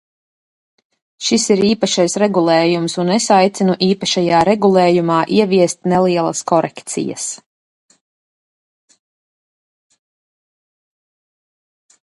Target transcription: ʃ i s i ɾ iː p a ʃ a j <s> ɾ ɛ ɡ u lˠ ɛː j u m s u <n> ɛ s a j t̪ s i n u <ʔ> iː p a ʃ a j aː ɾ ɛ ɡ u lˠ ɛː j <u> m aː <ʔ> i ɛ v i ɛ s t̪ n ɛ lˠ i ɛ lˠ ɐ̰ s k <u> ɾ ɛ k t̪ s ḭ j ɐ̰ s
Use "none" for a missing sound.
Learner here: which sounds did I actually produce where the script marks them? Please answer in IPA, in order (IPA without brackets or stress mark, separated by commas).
s, n, ʔ, u, ʔ, ɔ